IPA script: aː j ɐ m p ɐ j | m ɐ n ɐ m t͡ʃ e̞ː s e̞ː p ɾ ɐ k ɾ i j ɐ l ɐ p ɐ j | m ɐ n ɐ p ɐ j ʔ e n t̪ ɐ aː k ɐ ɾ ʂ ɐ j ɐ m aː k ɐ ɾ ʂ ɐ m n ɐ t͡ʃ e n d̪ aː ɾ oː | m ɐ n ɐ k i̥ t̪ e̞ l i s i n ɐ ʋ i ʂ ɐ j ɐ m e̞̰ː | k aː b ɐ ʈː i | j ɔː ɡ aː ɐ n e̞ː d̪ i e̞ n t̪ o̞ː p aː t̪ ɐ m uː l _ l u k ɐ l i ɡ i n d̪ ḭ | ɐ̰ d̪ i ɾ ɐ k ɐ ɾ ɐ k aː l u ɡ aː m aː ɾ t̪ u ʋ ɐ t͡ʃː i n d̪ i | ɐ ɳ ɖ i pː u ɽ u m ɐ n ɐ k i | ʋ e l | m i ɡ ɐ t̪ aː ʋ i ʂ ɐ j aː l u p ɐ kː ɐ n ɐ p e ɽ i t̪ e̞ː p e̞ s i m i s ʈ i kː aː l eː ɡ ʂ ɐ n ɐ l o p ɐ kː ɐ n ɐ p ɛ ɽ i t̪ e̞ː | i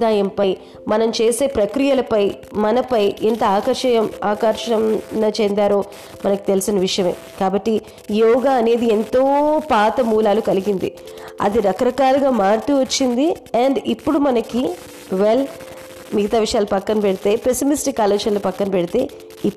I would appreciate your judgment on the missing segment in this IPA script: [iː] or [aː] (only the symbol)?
aː